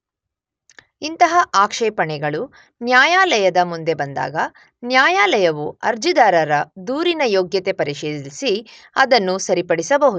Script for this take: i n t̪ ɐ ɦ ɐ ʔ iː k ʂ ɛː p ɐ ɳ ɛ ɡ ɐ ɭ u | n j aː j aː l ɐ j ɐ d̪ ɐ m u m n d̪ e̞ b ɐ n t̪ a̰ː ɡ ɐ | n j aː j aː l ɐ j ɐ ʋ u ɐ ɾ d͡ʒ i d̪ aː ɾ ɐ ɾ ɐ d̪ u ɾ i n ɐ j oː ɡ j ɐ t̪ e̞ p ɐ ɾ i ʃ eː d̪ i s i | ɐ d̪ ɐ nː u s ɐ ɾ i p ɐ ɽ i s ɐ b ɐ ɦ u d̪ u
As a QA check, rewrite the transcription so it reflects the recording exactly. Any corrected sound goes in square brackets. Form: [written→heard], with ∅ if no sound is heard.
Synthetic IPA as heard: i n t̪ ɐ ɦ ɐ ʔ [iː→aː] k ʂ ɛː p ɐ ɳ ɛ ɡ ɐ ɭ u | n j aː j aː l ɐ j ɐ d̪ ɐ m u [m→∅] n d̪ e̞ b ɐ n [t̪→d̪] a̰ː ɡ ɐ | n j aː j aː l ɐ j ɐ ʋ u ɐ ɾ d͡ʒ i d̪ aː ɾ ɐ ɾ ɐ d̪ [u→uː] ɾ i n ɐ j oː ɡ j ɐ t̪ e̞ p ɐ ɾ i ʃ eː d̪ i s i | ɐ d̪ ɐ nː u s ɐ ɾ i p ɐ ɽ i s ɐ b ɐ ɦ u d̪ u

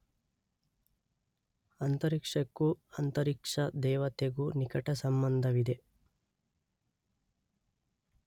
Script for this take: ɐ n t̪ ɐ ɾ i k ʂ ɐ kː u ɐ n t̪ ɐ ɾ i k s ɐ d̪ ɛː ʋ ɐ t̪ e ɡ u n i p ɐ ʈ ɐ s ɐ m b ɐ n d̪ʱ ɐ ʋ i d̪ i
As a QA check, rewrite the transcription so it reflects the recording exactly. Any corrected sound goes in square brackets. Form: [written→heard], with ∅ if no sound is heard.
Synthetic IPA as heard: ɐ n t̪ ɐ ɾ i k ʂ ɐ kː u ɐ n t̪ ɐ ɾ i k [s→ʂ] ɐ d̪ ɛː ʋ ɐ t̪ e ɡ u n i [p→k] ɐ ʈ ɐ s ɐ m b ɐ n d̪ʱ ɐ ʋ i d̪ [i→e]

